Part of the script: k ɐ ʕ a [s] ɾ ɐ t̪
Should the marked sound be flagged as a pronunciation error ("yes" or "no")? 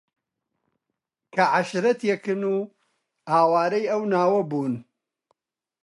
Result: yes